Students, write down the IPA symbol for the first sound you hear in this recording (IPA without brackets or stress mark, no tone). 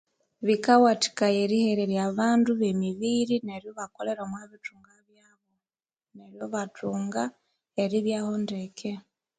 β